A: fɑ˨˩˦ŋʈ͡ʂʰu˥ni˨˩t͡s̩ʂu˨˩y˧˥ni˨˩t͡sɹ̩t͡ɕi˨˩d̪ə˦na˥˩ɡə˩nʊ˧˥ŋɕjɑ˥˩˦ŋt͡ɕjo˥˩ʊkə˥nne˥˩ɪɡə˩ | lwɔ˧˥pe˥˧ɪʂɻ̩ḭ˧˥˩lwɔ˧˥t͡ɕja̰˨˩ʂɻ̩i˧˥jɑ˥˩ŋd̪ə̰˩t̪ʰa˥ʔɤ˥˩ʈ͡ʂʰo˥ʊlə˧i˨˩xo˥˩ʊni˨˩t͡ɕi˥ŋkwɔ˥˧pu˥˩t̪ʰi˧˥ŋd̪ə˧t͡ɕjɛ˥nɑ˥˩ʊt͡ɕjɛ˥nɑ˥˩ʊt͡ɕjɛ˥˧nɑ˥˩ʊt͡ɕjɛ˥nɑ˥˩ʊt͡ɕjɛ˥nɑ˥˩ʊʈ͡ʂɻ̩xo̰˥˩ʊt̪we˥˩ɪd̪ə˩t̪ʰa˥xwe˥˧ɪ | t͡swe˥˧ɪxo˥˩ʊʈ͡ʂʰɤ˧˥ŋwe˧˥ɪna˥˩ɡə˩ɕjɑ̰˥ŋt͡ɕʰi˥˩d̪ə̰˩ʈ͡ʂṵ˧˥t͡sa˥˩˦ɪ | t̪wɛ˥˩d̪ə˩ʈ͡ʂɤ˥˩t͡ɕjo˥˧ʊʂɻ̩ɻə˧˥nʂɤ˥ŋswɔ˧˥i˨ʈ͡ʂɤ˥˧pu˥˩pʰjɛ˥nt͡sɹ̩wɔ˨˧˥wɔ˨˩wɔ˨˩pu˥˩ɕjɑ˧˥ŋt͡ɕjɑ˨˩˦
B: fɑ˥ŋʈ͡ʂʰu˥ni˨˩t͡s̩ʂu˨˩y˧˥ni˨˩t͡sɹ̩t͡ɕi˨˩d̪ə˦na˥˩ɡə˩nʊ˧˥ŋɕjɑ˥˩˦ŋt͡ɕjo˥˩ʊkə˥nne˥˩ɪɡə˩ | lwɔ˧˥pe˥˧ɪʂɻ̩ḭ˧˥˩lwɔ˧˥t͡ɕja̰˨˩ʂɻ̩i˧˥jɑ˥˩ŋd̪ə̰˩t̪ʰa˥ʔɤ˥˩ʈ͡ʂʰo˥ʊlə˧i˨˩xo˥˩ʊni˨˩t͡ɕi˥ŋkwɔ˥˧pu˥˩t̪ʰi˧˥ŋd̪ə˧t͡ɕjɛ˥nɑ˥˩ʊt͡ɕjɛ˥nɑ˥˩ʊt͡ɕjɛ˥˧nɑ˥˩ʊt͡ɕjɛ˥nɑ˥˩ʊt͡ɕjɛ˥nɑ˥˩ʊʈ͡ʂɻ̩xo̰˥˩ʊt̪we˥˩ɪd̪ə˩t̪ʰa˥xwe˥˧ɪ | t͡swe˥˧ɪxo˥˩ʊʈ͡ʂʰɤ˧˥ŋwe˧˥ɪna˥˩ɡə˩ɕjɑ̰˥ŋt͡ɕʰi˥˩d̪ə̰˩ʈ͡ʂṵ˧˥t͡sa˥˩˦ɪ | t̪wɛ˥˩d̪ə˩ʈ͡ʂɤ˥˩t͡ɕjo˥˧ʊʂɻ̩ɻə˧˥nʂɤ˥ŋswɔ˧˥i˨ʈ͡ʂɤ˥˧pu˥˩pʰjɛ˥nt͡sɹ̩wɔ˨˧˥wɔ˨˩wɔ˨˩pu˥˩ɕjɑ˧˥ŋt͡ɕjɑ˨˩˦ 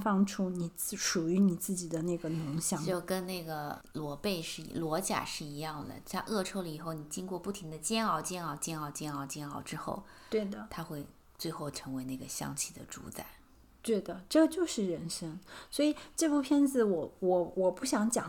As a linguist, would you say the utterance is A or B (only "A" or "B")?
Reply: B